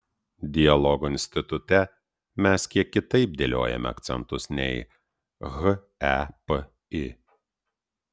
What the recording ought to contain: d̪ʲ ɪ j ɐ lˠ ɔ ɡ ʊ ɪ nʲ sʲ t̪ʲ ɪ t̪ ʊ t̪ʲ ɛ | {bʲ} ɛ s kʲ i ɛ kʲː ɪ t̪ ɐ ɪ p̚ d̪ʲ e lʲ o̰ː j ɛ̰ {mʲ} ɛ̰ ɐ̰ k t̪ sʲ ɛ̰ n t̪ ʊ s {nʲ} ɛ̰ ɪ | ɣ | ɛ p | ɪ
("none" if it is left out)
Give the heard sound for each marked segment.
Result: mʲ, mʲ, nʲ

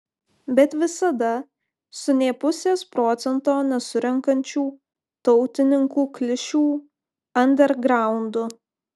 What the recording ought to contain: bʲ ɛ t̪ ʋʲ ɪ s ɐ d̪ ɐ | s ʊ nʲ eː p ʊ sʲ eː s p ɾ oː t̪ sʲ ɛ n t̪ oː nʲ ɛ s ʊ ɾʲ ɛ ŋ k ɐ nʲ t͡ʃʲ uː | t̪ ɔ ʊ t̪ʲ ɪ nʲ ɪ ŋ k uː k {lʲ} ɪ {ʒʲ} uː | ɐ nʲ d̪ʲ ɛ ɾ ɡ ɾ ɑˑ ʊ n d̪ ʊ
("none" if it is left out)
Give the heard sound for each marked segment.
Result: lʲ, ʃʲ

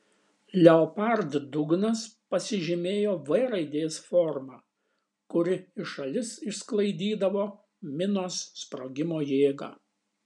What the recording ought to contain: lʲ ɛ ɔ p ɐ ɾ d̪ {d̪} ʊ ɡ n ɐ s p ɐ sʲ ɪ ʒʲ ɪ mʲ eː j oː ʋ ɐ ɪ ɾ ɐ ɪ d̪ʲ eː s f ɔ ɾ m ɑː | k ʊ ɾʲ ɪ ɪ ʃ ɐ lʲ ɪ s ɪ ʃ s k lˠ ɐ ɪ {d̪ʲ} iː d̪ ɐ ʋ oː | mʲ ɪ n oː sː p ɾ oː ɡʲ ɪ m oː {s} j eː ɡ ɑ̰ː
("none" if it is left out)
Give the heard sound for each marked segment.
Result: d̪, d̪ʲ, none

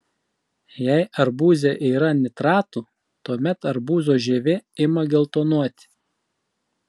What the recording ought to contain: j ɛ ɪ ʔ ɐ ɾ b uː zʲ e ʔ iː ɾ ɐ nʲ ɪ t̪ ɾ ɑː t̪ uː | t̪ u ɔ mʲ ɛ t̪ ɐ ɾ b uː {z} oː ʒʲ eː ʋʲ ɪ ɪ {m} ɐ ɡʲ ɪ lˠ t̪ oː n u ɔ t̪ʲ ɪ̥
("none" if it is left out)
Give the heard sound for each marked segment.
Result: z, m

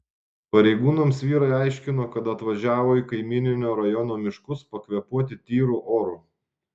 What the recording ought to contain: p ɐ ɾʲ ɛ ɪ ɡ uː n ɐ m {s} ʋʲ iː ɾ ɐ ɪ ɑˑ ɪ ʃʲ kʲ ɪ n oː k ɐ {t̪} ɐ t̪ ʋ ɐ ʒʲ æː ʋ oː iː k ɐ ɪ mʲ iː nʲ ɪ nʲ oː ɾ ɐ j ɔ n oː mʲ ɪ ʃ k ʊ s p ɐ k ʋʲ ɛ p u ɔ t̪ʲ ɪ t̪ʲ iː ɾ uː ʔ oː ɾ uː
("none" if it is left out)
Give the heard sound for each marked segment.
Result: s, t̪

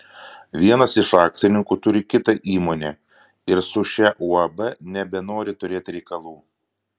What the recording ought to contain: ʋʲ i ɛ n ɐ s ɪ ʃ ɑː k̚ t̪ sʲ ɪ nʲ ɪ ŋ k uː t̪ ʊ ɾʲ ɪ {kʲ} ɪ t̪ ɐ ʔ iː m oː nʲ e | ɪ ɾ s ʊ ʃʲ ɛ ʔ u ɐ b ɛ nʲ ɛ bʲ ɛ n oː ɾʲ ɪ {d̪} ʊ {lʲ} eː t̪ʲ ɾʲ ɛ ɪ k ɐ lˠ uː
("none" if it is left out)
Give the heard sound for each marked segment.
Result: kʲ, t̪, ɾʲ

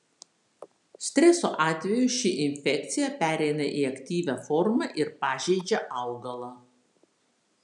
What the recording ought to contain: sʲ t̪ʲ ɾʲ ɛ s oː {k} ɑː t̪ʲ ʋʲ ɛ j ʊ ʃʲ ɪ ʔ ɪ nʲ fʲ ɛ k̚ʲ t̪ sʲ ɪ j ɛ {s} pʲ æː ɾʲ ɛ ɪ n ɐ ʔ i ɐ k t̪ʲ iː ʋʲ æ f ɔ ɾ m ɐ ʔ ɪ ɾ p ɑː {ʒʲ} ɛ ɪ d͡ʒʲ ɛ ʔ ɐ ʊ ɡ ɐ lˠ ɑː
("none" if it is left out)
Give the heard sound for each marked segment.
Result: ʔ, none, ʒʲ

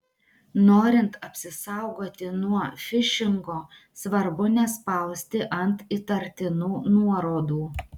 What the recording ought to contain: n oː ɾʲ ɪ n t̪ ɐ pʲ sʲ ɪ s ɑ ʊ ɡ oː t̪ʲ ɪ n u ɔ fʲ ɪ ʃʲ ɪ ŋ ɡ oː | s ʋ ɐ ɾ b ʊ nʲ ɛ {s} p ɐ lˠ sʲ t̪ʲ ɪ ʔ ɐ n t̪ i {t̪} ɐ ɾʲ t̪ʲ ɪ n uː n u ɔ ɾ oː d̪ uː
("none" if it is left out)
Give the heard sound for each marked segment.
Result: s, t̪

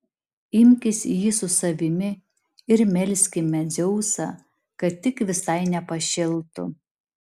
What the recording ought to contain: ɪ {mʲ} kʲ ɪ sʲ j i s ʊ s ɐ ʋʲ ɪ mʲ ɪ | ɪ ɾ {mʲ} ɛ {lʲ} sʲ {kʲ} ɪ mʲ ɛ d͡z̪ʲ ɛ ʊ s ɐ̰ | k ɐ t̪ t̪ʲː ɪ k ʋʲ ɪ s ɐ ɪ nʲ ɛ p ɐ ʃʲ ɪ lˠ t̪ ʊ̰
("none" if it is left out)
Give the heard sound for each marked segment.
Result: mʲ, mʲ, lʲ, kʲ

